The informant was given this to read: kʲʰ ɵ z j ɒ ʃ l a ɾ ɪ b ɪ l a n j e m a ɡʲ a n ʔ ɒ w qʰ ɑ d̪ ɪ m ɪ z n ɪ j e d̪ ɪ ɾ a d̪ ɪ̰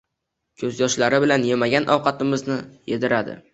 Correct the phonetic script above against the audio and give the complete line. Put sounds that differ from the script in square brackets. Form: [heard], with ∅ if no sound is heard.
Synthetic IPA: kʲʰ ɵ z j ɒ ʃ l a ɾ ɪ b ɪ l a n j e m a ɡʲ a n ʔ ɒ w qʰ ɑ [t̪] ɪ m ɪ z n ɪ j e d̪ ɪ ɾ a d̪ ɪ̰